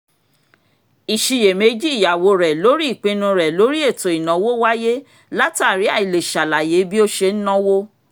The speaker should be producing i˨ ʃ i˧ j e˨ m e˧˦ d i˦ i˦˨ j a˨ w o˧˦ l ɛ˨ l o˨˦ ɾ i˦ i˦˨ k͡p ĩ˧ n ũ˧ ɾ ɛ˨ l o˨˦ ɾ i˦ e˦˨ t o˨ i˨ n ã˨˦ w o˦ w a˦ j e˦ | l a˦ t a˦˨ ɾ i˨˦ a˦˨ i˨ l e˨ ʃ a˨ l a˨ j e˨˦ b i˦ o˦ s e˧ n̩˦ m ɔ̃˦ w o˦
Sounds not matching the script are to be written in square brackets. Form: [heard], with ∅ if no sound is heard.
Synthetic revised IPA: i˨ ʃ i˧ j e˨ m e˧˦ [d͡ʒ] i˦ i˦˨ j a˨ w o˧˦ [ɾ] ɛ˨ l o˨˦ ɾ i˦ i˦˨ k͡p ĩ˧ n ũ˧ ɾ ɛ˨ l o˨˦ ɾ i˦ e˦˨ t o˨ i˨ n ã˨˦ w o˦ w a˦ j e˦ | l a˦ t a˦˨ ɾ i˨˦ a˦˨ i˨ l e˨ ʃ a˨ l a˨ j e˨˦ b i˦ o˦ [ʃ] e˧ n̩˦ [n] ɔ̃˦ w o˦

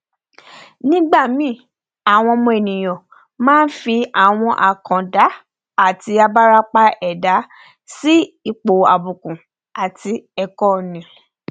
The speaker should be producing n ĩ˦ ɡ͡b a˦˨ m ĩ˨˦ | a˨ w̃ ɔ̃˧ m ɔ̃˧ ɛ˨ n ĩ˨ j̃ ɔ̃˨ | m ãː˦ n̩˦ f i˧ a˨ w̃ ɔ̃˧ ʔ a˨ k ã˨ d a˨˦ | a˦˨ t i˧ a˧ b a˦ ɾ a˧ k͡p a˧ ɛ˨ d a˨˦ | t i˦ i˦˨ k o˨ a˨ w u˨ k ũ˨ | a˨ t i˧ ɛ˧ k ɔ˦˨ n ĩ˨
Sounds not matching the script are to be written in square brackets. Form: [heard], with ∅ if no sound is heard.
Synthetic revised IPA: n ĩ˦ ɡ͡b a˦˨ m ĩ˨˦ | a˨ w̃ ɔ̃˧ m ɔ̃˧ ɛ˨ n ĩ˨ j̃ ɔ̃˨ | m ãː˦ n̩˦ f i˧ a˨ w̃ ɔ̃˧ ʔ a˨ k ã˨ d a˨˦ | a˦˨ t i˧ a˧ b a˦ ɾ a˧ k͡p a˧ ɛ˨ d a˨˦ | [s] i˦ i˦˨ [k͡p] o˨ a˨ [b] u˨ k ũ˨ | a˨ t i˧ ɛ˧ k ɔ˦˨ n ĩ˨

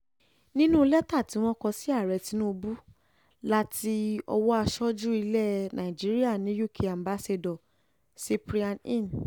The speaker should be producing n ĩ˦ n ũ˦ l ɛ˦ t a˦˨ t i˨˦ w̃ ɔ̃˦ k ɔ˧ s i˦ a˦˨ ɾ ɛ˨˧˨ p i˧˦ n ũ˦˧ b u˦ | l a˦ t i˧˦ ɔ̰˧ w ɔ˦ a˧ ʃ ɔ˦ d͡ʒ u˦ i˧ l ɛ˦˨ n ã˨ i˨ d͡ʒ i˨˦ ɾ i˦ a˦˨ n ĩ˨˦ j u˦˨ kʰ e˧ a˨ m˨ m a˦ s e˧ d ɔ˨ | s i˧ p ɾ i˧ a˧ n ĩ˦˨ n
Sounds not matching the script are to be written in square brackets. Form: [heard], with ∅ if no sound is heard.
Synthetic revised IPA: n ĩ˦ n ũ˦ l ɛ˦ t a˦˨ t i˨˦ w̃ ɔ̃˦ k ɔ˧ s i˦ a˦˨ ɾ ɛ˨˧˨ [t] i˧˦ n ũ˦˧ b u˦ | l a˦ t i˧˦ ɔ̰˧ w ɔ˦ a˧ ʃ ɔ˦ d͡ʒ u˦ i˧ l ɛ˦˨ n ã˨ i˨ d͡ʒ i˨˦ ɾ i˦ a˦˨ n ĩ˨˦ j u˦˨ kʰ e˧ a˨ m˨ [b] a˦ s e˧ d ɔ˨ | s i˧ p ɾ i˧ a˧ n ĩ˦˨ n

